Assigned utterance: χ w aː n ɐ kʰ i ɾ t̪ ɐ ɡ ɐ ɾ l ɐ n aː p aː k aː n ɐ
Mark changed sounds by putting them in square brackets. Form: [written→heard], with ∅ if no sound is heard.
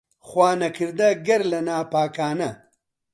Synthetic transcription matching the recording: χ w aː n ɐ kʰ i ɾ [t̪→d̪] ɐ ɡ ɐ ɾ l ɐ n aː p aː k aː n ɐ

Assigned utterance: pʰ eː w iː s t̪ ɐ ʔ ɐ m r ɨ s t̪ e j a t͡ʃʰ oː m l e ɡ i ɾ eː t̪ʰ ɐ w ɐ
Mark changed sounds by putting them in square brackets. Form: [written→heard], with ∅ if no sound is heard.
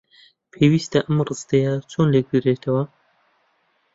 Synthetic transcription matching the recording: pʰ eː w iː s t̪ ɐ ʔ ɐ m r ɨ s t̪ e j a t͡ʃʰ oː [m→n] l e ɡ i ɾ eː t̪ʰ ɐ w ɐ

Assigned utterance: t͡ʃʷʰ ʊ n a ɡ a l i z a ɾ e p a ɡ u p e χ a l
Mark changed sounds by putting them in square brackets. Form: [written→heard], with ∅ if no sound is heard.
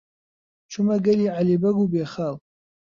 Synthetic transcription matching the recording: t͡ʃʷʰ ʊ [n→m] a ɡ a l i [z→ʕ] a [ɾ→l] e [p→b] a ɡ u [p→b] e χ a l

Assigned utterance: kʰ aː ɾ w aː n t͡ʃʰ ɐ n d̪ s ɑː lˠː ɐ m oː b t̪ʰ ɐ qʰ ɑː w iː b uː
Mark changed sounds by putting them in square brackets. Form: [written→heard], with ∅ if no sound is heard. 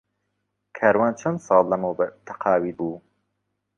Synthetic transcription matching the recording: kʰ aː ɾ w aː n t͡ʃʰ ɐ n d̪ s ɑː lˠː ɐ m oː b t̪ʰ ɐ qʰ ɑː w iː b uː

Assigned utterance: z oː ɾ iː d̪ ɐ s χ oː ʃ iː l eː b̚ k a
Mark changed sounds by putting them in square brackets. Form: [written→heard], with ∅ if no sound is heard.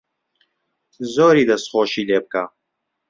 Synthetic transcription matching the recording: z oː ɾ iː d̪ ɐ s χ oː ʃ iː l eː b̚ k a

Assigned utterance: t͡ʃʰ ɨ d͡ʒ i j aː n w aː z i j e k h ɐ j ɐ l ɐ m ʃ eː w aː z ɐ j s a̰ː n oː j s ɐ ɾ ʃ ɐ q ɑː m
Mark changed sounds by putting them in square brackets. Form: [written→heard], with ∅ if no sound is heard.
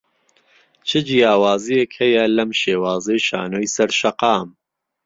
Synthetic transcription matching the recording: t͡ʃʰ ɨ d͡ʒ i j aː [n→∅] w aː z i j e k h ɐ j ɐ l ɐ m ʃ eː w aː z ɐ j [s→ʃ] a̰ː n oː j s ɐ ɾ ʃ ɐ q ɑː m

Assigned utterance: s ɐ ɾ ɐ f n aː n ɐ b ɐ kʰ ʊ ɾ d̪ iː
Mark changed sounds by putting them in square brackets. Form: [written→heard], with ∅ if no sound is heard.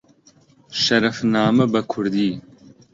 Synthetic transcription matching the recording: [s→ʃ] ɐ ɾ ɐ f n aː [n→m] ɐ b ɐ kʰ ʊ ɾ d̪ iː

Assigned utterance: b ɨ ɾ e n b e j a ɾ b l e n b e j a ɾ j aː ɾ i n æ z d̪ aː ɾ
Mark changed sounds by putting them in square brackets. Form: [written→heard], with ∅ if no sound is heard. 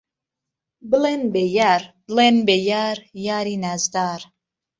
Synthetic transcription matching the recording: b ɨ [ɾ→l] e n b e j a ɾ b l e n b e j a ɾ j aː ɾ i n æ z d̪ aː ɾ

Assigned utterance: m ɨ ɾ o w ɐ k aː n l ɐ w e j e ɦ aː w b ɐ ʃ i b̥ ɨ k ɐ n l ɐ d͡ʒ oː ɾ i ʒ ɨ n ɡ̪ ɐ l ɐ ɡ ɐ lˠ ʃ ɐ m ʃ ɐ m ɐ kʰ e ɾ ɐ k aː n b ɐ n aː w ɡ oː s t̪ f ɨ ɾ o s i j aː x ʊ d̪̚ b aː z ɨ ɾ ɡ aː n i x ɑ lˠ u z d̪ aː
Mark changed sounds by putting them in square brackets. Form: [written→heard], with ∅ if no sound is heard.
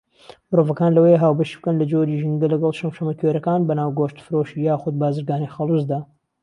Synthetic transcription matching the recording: m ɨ ɾ o [w→v] ɐ k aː n l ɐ w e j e ɦ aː w b ɐ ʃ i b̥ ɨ k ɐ n l ɐ d͡ʒ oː ɾ i ʒ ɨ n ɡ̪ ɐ l ɐ ɡ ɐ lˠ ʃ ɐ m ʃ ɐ m ɐ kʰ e ɾ ɐ k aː n b ɐ n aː w ɡ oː [s→ʃ] t̪ f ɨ ɾ o [s→ʃ] i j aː x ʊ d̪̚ b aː z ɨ ɾ ɡ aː n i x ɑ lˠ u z d̪ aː

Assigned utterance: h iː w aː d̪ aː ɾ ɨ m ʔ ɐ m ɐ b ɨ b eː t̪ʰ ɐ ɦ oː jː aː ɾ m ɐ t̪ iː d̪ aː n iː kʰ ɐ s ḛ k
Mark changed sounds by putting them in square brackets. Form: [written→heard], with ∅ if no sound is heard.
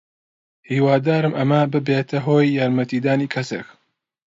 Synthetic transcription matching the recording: h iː w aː d̪ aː ɾ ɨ m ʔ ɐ m ɐ b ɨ b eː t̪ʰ ɐ ɦ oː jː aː ɾ m ɐ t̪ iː d̪ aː n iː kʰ ɐ s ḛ k

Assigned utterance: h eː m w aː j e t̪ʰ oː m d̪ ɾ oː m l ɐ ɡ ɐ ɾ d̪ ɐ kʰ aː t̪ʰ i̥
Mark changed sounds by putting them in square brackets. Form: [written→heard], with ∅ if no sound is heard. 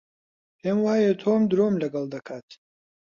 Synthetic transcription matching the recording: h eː m w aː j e t̪ʰ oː m d̪ ɾ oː m l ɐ ɡ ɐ [ɾ→l] d̪ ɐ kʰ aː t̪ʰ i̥

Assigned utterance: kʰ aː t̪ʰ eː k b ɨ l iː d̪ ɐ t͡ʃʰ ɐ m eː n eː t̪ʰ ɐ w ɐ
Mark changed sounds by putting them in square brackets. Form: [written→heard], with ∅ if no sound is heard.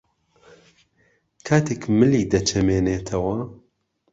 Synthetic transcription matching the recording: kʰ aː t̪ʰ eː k [b→m] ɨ l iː d̪ ɐ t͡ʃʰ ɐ m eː n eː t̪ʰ ɐ w ɐ

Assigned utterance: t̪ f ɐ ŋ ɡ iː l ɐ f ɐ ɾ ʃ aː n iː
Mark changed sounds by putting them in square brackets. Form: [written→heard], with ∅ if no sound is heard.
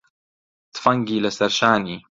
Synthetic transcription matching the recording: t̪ f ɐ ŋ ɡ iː l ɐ [f→s] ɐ ɾ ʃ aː n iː

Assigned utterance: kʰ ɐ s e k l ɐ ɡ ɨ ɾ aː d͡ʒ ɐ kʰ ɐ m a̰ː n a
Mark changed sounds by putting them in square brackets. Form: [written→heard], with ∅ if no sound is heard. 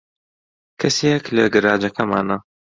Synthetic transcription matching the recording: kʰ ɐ s e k l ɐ ɡ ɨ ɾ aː d͡ʒ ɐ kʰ ɐ m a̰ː n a

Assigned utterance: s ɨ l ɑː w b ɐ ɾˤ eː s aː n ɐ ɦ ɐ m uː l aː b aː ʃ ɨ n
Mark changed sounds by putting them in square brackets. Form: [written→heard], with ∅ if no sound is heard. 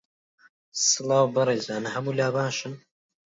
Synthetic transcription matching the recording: s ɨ l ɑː w b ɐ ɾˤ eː [s→z] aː n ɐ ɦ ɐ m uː l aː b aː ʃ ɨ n

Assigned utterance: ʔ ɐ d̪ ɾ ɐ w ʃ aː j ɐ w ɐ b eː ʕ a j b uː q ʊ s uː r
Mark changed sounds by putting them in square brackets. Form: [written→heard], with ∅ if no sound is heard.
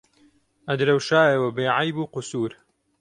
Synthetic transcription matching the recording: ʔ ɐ d̪ ɾ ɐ w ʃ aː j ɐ w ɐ b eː ʕ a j b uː q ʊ s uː [r→ɾ]

